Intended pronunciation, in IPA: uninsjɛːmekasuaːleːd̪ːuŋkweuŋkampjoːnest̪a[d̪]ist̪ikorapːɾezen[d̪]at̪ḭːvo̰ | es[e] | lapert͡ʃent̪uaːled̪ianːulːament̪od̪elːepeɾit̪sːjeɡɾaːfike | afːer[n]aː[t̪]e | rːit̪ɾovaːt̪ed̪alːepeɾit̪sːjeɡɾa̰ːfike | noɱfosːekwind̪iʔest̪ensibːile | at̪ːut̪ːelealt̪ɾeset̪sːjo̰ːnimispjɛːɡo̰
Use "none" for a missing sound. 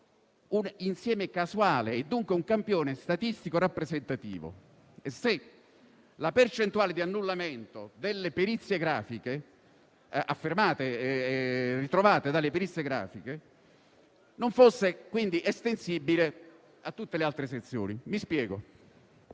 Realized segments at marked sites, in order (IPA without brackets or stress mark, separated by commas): t̪, t̪, e, m, t̪